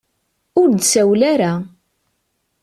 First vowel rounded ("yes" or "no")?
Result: yes